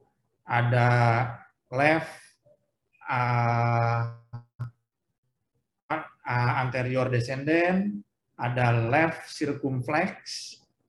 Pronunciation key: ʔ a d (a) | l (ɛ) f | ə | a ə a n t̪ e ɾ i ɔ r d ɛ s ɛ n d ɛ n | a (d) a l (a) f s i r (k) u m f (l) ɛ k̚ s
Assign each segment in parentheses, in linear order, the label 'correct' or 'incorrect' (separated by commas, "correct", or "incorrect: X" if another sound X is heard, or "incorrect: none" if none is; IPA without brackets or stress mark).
correct, correct, correct, incorrect: ɛ, correct, correct